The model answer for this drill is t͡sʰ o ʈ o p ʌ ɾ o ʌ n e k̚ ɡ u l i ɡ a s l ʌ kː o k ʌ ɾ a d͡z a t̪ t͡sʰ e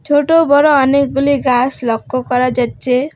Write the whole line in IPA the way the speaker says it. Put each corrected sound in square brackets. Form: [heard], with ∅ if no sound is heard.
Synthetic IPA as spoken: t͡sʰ o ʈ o [b] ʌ ɾ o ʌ n e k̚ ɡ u l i ɡ a s l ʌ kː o k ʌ ɾ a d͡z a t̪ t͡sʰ e